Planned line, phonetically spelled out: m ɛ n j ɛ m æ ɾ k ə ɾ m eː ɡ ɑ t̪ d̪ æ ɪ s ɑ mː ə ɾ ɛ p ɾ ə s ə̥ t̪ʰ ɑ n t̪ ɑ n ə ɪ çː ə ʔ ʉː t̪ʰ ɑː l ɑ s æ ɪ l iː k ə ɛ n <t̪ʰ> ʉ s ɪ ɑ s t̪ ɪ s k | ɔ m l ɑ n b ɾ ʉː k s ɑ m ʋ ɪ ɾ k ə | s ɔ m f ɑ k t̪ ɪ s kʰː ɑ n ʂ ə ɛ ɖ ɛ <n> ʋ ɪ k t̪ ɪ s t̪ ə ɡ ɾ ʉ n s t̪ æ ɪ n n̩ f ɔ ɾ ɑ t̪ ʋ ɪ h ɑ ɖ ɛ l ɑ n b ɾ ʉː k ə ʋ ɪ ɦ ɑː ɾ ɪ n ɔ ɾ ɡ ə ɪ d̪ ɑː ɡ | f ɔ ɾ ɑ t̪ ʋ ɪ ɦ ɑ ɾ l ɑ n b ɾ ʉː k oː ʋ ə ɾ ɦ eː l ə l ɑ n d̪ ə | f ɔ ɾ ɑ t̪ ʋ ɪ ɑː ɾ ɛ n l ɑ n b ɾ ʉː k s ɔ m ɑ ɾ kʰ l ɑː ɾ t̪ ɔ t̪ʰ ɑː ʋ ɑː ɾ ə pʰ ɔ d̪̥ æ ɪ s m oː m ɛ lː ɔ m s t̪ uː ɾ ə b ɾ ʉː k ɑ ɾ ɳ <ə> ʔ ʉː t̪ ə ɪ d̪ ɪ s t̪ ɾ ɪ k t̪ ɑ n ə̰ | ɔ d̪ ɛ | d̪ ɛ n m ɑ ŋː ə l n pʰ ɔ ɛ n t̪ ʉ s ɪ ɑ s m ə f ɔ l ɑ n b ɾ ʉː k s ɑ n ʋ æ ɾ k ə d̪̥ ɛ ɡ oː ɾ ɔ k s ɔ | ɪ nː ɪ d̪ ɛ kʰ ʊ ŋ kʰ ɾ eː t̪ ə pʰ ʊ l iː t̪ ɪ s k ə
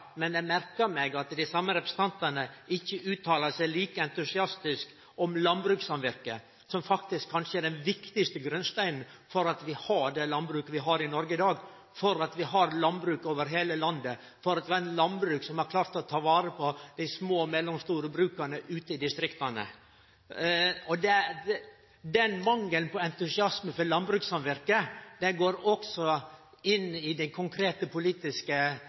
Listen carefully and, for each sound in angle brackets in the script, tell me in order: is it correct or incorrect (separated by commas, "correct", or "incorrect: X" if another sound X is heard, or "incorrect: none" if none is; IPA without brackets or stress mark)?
incorrect: t̪, correct, correct